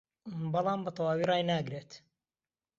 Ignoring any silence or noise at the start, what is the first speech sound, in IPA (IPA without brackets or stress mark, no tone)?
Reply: b